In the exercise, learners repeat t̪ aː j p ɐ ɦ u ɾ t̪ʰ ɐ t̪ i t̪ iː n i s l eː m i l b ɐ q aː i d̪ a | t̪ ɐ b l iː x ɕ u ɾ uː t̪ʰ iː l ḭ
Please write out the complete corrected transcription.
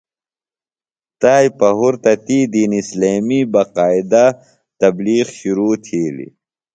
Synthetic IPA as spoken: t̪ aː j p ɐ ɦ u ɾ t̪ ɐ t̪ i d̪ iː n i s l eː m i b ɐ q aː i d̪ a | t̪ ɐ b l iː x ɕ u ɾ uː t̪ʰ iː l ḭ